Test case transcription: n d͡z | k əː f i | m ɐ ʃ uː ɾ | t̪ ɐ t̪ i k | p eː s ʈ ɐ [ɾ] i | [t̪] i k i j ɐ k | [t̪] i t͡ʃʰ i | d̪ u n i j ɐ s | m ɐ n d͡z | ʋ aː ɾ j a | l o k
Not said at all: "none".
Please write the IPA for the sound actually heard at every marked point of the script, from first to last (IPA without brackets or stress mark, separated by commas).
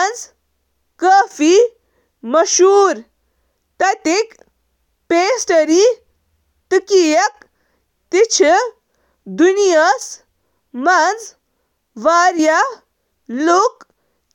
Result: ɾ, t̪, t̪